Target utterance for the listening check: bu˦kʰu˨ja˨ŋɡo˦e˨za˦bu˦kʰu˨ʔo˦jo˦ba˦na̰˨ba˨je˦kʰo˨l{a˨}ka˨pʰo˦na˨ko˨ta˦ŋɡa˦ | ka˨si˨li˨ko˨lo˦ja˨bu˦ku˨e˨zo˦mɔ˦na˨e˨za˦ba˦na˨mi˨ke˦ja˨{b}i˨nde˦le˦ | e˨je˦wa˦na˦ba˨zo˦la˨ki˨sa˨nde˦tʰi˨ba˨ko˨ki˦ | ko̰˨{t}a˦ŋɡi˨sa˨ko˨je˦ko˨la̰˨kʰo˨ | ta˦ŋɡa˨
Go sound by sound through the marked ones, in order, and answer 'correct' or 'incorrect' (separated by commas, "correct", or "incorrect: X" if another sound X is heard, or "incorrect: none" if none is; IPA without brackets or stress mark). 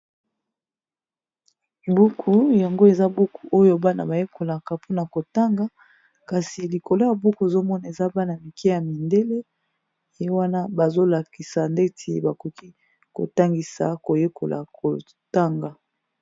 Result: correct, incorrect: m, correct